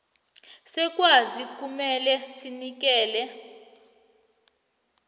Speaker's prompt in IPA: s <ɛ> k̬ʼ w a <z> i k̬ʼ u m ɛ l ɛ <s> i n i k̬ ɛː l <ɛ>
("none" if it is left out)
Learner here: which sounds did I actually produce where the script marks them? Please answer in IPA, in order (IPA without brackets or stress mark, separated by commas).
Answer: ɛ, z, s, ɛ